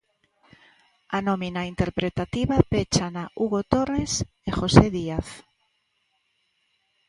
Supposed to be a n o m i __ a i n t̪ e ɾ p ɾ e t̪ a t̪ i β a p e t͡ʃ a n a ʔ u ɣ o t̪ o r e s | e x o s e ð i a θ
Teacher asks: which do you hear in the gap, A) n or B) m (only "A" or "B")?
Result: A